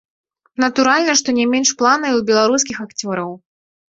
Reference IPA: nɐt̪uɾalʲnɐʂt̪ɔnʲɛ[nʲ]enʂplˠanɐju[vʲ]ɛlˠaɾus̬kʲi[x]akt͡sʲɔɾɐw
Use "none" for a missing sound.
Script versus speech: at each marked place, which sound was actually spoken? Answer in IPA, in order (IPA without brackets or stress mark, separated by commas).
mʲ, bʲ, x